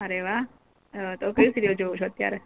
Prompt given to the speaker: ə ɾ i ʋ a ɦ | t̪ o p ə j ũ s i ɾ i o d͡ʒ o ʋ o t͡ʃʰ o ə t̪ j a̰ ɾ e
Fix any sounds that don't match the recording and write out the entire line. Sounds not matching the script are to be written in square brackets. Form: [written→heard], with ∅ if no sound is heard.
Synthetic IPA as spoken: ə ɾ [i→e] ʋ a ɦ | t̪ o [p→k] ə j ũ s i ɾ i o d͡ʒ o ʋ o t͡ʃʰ o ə t̪ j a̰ ɾ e